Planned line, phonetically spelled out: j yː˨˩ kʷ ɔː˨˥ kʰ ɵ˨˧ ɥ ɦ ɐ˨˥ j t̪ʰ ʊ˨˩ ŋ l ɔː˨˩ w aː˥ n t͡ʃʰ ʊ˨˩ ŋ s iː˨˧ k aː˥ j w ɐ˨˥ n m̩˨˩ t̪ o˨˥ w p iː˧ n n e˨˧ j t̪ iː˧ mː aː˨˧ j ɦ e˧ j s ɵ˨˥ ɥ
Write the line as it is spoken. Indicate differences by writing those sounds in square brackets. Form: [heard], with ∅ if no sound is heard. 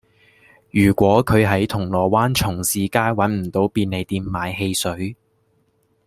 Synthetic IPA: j yː˨˩ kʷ ɔː˨˥ kʰ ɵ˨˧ ɥ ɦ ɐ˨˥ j t̪ʰ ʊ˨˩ ŋ l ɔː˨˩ w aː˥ n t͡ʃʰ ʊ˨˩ ŋ s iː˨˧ k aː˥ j w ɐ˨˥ n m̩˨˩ t̪ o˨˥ w p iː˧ n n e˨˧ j t̪ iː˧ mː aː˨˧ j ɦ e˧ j s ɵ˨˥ ɥ

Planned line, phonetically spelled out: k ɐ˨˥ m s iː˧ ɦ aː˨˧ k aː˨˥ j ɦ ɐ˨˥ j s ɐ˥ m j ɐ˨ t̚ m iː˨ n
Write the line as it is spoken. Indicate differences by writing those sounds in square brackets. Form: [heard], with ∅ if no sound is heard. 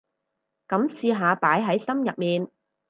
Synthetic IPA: k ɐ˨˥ m s iː˧ ɦ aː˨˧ [p] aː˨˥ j ɦ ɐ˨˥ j s ɐ˥ m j ɐ˨ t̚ m iː˨ n

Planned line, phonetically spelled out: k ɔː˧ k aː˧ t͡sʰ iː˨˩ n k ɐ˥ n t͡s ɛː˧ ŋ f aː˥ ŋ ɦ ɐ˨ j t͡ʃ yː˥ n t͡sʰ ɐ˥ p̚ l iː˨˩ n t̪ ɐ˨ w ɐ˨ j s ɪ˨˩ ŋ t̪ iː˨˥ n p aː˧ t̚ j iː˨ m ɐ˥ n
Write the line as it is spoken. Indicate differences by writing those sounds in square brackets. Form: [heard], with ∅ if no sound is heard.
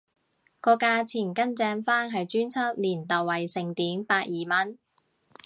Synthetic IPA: k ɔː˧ k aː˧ t͡sʰ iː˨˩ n k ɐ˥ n t͡s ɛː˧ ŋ f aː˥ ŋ ɦ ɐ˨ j t͡ʃ yː˥ n t͡sʰ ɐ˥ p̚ l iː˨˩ n t̪ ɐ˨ w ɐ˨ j s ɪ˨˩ ŋ t̪ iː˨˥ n p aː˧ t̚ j iː˨ m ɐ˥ n

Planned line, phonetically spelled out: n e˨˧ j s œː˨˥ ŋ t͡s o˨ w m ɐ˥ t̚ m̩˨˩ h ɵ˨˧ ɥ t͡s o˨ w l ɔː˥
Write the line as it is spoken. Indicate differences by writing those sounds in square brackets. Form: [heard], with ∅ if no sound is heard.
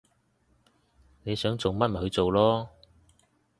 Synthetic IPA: n e˨˧ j s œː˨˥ ŋ t͡s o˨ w m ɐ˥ t̚ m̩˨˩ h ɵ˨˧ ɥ t͡s o˨ w l ɔː˥

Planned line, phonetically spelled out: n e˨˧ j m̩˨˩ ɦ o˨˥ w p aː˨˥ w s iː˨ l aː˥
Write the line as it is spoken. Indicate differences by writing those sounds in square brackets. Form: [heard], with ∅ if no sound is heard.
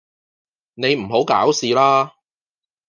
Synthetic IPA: n e˨˧ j m̩˨˩ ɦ o˨˥ w [k] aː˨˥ w s iː˨ l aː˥

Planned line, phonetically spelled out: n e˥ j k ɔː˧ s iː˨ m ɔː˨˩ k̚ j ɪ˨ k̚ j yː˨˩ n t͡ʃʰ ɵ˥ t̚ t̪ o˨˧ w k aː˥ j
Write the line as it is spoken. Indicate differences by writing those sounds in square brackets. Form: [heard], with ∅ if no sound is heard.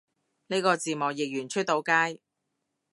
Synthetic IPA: n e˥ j k ɔː˧ [t͡s] iː˨ m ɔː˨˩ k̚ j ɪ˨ k̚ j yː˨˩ n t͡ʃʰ ɵ˥ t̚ t̪ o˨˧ w k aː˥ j

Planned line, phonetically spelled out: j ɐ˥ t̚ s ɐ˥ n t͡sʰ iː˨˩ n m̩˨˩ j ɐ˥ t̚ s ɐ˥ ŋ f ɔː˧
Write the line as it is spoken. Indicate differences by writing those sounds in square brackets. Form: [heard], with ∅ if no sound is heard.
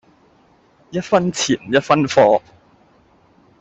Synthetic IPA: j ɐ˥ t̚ [f] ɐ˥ n t͡sʰ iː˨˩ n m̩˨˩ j ɐ˥ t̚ [f] ɐ˥ [n] f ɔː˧

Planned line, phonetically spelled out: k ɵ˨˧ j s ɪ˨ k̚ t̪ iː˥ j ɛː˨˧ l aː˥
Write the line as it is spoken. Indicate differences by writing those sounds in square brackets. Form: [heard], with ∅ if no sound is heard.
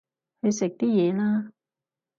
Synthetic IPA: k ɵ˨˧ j s ɪ˨ k̚ t̪ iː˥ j ɛː˨˧ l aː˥

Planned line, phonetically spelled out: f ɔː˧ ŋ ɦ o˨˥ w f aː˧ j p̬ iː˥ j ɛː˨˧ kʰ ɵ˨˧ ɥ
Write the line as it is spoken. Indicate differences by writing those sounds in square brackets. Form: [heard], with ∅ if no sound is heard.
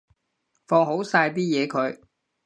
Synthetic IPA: f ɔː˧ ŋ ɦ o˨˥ w [s] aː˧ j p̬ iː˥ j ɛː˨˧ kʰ ɵ˨˧ ɥ

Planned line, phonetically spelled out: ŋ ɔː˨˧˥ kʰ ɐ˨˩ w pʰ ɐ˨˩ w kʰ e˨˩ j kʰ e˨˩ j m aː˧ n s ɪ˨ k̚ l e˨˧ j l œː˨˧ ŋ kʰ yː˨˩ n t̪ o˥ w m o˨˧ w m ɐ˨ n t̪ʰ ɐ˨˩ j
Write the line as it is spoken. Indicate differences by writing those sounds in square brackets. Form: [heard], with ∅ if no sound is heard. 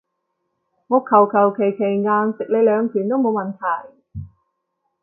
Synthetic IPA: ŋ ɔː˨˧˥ kʰ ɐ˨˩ w [kʰ] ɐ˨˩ w kʰ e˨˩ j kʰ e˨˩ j [ŋ] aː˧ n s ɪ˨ k̚ l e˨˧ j l œː˨˧ ŋ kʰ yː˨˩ n t̪ o˥ w m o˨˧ w m ɐ˨ n t̪ʰ ɐ˨˩ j

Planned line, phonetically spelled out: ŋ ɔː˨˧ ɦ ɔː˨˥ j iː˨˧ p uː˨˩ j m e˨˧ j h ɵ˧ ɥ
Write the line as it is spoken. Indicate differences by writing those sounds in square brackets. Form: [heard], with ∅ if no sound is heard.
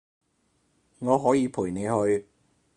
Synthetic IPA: ŋ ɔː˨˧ ɦ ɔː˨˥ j iː˨˧ [pʰ] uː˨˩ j [n] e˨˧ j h ɵ˧ ɥ

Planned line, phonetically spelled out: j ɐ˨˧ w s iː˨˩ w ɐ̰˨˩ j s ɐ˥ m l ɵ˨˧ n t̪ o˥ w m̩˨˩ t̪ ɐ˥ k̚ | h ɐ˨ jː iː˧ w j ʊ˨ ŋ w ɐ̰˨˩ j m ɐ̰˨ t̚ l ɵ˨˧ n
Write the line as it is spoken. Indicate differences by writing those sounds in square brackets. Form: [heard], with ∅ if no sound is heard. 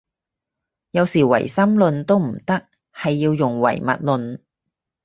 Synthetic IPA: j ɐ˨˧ w s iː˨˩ w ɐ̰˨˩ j s ɐ˥ m l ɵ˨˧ n t̪ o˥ w m̩˨˩ t̪ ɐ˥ k̚ | h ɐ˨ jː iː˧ w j ʊ˨ ŋ w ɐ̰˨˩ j m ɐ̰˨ t̚ l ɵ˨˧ n

